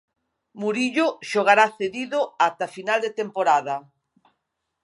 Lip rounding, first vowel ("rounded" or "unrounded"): rounded